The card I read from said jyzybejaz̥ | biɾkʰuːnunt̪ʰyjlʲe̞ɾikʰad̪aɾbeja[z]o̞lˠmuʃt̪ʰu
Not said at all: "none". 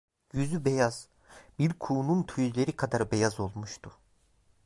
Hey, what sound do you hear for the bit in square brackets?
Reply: z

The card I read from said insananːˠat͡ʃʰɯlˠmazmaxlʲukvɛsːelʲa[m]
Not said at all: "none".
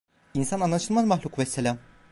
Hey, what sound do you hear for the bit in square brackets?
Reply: m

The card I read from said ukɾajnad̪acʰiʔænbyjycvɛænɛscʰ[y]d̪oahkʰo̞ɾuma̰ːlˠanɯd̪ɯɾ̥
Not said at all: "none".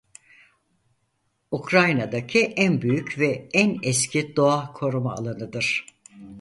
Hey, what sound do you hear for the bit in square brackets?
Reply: i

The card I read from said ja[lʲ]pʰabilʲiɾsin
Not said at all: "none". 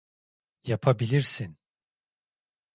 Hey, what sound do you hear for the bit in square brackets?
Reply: none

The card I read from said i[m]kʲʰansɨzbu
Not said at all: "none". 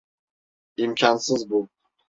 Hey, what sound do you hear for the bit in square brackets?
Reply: m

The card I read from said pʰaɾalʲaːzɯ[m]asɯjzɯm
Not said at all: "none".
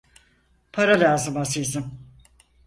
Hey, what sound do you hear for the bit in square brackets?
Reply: m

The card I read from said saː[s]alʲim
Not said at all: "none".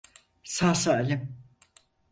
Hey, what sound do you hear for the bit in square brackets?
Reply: s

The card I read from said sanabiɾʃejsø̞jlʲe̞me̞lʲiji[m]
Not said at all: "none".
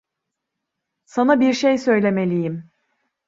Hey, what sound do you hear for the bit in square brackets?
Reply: m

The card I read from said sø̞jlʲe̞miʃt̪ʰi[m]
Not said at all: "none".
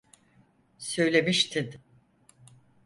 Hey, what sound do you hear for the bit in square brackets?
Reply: n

